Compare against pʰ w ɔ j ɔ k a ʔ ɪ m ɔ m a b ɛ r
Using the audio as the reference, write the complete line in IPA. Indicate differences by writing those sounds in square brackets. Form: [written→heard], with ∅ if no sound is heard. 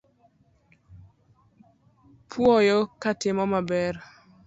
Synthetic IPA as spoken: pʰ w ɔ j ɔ k a [ʔ→t] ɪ m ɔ m a b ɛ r

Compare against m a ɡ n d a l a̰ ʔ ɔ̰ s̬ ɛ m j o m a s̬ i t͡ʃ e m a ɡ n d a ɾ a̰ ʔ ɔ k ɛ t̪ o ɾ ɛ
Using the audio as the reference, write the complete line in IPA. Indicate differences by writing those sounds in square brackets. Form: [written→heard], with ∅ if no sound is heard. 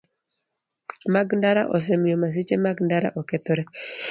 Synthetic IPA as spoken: m a ɡ n d a [l→ɾ] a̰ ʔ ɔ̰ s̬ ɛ m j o m a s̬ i t͡ʃ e m a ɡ n d a ɾ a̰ ʔ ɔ k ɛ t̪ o ɾ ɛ

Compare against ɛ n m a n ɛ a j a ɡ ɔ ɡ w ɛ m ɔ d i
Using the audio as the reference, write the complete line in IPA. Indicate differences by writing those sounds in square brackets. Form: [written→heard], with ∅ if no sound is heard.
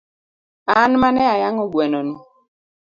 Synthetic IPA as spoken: [ɛ→a] n m a n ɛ a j a [ɡ→ŋ] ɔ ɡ w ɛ [m→n] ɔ [d→n] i

